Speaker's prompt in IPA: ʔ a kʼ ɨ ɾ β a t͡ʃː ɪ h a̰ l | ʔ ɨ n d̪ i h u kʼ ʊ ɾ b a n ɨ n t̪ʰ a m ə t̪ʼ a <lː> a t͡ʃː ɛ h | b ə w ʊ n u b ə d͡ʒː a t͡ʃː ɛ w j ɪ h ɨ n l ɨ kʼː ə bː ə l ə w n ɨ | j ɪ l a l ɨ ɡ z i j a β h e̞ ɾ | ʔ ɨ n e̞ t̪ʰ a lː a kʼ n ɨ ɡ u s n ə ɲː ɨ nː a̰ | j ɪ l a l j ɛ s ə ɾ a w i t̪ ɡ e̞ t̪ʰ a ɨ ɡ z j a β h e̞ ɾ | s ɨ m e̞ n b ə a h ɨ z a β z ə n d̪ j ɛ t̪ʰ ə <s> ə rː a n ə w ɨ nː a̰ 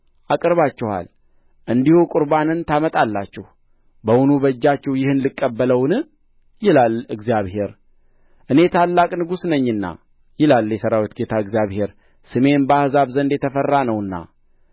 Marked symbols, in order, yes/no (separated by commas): yes, no